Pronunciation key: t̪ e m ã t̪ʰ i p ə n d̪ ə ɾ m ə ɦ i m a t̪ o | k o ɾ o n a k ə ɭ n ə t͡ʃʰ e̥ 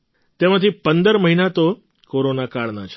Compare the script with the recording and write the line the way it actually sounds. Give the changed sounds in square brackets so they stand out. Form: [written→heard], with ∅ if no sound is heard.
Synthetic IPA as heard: t̪ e m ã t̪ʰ i p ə n d̪ ə ɾ m ə ɦ i [m→n] a t̪ o | k o ɾ o n a k [ə→a] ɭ n [ə→a] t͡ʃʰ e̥